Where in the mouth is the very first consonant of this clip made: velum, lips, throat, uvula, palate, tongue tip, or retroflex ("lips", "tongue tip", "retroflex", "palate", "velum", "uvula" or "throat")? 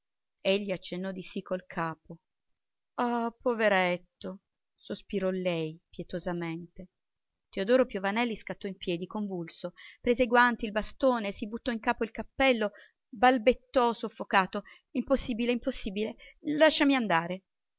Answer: palate